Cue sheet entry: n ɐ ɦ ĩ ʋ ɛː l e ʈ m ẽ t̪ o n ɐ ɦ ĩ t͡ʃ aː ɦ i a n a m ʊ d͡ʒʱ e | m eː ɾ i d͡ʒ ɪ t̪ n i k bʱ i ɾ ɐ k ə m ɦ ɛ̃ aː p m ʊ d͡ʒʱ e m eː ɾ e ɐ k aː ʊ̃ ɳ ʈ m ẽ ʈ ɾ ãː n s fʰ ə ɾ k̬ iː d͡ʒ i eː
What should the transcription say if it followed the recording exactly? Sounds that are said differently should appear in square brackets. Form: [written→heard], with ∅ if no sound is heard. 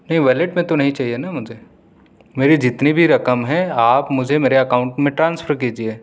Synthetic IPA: n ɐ ɦ ĩ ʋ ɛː l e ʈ m ẽ t̪ o n ɐ ɦ ĩ t͡ʃ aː ɦ i [a→e] n a m ʊ d͡ʒʱ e | m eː ɾ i d͡ʒ ɪ t̪ n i [k→∅] bʱ i ɾ ɐ k ə m ɦ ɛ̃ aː p m ʊ d͡ʒʱ e m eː ɾ e ɐ k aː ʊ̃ ɳ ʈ m ẽ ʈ ɾ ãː n s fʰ ə ɾ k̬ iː d͡ʒ i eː